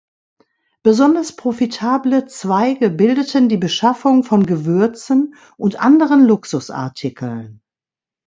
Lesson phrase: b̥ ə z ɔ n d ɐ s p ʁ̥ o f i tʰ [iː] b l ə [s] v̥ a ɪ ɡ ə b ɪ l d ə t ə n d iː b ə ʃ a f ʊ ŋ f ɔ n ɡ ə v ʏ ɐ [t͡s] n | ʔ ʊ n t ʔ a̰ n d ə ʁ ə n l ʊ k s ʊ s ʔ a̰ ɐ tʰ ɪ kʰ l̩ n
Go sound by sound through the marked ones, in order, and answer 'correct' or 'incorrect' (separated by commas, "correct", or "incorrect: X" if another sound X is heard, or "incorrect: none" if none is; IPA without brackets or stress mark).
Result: incorrect: aː, incorrect: t͡s, correct